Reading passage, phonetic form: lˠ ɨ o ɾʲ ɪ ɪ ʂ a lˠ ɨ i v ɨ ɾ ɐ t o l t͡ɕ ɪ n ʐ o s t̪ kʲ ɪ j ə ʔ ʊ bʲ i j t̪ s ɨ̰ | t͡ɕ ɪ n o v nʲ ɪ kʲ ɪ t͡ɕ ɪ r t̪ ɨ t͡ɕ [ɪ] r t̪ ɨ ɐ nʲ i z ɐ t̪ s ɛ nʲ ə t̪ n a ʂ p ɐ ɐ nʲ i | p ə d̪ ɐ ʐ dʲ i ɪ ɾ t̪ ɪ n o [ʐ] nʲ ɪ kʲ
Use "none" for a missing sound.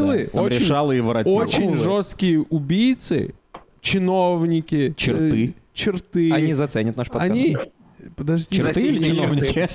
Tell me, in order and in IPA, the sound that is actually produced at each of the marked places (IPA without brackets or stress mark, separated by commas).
ɪ, v